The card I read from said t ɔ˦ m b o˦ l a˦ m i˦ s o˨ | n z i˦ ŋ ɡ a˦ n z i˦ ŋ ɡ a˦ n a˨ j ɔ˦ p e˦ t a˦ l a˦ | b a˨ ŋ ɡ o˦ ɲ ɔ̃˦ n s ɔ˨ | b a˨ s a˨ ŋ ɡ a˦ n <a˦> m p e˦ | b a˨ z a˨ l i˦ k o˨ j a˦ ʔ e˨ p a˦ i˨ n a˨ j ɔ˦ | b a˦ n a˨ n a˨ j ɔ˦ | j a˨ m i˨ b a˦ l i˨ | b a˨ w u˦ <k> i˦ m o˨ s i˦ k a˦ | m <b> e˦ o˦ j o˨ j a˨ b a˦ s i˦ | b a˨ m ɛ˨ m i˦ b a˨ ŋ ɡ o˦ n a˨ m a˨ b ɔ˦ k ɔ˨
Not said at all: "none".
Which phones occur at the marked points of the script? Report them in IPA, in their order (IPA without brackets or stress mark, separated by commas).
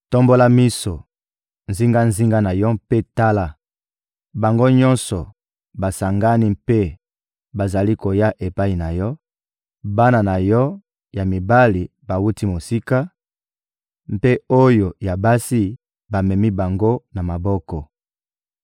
i˦, t, p